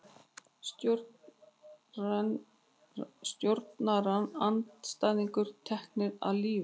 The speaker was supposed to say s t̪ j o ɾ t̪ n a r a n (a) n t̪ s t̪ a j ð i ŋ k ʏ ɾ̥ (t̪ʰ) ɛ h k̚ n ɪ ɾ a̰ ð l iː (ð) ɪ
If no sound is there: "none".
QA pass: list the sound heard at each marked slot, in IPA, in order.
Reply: a, t̪ʰ, v

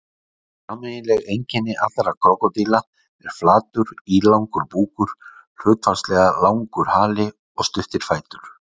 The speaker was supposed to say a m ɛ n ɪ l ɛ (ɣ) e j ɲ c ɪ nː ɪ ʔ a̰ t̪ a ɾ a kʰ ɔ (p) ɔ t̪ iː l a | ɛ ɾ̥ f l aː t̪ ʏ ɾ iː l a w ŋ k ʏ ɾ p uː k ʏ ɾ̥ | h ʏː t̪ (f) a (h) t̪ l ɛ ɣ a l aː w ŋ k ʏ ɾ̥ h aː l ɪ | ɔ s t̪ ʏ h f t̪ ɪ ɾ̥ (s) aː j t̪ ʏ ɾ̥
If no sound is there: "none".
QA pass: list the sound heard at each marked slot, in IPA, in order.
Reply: ɣ, k, f, s, f

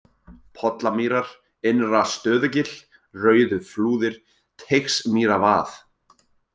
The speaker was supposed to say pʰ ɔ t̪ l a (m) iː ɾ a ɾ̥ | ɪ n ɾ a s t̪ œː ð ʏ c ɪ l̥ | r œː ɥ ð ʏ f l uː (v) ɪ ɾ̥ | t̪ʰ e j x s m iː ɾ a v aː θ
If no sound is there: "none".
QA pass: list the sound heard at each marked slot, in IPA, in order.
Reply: m, ð

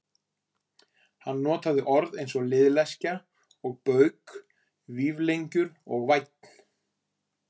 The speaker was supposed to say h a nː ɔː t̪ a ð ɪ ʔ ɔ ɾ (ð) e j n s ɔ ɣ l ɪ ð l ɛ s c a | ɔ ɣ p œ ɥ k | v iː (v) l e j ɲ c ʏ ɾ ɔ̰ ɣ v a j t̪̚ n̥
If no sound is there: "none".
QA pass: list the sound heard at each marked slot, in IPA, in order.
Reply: ð, v

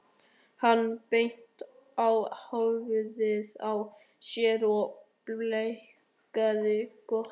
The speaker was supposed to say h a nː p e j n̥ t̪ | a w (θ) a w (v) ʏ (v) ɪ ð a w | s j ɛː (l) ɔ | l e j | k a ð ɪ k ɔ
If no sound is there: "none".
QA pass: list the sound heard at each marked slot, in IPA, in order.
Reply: h, v, ð, ɾ

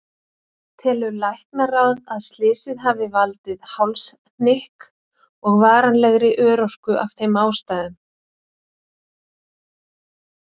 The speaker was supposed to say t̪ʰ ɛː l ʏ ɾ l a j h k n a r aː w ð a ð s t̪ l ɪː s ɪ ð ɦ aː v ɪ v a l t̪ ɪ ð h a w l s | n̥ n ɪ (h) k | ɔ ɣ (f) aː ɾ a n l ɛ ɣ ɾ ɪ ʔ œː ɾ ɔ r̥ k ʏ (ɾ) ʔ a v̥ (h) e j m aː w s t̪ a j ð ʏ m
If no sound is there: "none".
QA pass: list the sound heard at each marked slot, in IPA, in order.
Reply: h, v, none, θ

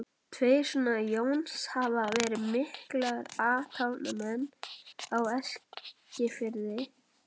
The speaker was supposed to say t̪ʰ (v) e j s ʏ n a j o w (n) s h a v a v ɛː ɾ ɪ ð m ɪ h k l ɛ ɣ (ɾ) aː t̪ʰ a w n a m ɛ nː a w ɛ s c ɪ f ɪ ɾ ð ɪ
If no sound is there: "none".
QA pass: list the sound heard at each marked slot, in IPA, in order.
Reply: v, n, ɾ

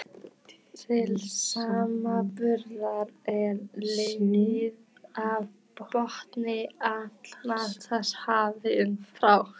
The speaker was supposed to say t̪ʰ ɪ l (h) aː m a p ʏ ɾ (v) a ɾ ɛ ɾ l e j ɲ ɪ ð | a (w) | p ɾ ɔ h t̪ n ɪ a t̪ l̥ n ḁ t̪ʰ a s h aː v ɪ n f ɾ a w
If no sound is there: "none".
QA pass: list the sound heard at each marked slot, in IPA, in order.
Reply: s, ð, v

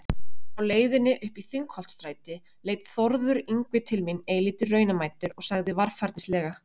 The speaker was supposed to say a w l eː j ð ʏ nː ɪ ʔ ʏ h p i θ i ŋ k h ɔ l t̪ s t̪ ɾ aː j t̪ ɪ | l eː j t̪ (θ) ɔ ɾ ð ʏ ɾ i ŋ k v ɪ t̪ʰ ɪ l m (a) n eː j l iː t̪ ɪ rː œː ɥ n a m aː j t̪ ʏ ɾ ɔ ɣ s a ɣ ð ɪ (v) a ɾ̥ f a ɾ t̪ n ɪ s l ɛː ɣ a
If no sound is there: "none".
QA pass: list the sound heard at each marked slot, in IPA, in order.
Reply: θ, i, v

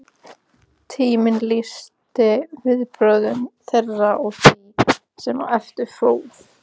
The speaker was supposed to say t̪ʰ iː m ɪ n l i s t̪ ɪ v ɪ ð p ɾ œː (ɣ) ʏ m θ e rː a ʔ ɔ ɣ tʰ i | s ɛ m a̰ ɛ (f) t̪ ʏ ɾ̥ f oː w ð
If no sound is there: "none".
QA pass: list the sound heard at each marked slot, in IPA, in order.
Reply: ð, f

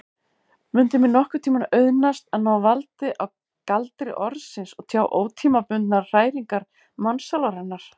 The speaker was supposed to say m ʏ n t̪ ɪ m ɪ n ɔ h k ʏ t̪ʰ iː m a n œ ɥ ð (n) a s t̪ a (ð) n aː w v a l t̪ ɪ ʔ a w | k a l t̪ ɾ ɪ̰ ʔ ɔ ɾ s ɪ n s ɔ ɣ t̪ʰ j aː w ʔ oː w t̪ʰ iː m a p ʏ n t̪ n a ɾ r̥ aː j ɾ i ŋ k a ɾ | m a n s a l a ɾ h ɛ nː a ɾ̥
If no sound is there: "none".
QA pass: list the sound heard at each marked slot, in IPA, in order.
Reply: n, ð

